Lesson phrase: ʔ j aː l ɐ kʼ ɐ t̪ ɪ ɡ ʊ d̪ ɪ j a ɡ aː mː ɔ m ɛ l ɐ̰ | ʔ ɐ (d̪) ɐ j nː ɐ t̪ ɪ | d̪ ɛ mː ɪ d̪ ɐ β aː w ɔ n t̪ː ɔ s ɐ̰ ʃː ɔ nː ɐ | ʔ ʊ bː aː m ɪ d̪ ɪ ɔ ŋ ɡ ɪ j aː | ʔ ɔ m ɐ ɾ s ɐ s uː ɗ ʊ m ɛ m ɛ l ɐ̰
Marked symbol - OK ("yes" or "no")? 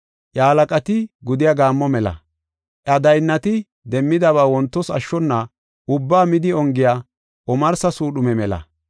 yes